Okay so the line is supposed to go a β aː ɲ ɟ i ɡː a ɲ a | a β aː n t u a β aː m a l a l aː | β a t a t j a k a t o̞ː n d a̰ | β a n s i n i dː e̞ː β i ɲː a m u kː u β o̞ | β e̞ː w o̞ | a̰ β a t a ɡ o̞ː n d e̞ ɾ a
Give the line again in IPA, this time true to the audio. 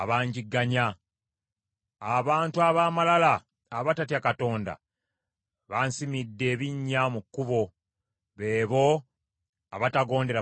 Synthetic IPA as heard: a β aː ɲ ɟ i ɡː a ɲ a | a β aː n t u a β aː m a l a l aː | β a t a t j a k a t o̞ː n d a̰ | β a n s i m i dː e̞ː β i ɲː a m u kː u β o̞ | β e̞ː β o̞ | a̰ β a t a ɡ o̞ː n d e̞ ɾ a